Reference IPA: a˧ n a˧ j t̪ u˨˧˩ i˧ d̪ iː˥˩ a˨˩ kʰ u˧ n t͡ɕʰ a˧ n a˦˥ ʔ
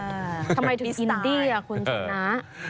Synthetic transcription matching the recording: a˧ m a˧ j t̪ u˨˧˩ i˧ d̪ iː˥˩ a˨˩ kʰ u˧ n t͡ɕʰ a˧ n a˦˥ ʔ